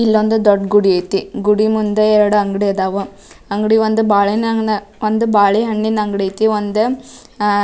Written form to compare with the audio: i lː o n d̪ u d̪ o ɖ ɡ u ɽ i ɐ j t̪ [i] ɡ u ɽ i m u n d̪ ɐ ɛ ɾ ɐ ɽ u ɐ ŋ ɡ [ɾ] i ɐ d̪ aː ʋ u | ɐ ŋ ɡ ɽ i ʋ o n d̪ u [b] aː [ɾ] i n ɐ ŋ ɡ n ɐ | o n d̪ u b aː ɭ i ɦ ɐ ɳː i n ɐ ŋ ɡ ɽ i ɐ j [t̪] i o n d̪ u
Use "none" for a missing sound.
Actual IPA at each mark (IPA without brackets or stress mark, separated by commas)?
i, ɽ, b, ɭ, t̪